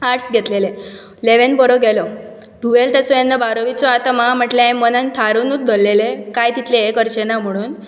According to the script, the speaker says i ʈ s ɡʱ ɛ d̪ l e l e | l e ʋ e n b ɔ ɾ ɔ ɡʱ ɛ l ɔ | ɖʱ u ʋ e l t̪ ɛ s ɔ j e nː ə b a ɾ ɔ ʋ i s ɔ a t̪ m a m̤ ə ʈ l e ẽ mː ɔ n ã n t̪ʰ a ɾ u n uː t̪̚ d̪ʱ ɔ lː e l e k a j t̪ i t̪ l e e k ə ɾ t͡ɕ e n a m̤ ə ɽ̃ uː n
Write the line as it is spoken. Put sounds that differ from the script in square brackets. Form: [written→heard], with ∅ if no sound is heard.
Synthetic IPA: [i→a] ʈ s ɡʱ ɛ [d̪→t̪] l e l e | l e ʋ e n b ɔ ɾ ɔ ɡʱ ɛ l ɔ | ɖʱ u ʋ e l t̪ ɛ s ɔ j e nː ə b a ɾ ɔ ʋ i [s→t͡s] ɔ a t̪ m a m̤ ə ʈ l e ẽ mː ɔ n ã n t̪ʰ a ɾ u n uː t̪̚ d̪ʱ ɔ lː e l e k a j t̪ i t̪ l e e k ə ɾ t͡ɕ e n a m̤ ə ɽ̃ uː n